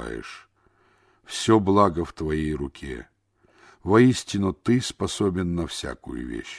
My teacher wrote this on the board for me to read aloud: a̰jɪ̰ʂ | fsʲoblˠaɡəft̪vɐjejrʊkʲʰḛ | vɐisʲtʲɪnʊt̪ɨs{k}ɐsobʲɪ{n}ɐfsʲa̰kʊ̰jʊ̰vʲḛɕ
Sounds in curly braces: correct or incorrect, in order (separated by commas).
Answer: incorrect, incorrect